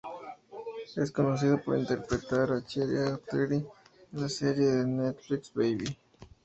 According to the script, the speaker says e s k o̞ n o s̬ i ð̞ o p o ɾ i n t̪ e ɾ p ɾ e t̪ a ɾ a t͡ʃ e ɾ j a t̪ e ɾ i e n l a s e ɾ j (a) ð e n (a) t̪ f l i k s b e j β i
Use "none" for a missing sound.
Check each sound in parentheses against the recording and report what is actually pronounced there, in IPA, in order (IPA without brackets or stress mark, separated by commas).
e, e